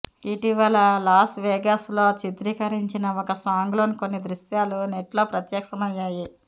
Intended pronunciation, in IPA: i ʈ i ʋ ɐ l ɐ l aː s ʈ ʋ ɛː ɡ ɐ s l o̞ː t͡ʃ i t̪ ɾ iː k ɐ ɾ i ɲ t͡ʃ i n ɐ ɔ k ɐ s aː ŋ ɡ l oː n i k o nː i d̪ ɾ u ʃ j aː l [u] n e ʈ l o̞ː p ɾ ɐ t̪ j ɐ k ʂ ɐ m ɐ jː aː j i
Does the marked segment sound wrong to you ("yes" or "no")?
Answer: no